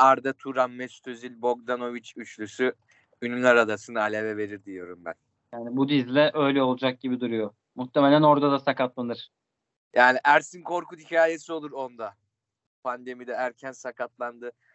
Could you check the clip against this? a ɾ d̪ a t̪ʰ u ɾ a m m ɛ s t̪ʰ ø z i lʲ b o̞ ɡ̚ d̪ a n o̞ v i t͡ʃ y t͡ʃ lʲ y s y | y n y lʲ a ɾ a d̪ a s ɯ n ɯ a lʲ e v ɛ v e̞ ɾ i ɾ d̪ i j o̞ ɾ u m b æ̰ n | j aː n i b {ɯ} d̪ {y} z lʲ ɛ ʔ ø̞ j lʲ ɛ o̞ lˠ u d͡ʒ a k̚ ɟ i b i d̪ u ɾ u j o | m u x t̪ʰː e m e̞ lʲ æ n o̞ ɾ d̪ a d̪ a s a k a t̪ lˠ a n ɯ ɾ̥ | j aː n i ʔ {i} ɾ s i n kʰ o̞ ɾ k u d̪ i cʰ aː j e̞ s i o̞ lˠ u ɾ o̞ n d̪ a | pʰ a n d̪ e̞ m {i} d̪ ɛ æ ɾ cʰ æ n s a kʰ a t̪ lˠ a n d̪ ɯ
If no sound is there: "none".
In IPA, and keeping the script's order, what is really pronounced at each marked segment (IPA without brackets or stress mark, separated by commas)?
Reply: u, i, æ, i